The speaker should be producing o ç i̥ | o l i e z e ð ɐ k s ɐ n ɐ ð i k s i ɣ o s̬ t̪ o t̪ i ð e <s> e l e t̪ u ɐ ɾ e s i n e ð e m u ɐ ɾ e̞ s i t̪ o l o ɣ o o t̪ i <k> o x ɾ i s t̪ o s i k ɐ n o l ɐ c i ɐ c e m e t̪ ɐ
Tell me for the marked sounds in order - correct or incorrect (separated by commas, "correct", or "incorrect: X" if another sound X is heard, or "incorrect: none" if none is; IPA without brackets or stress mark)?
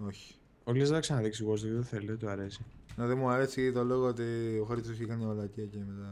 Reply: incorrect: θ, incorrect: none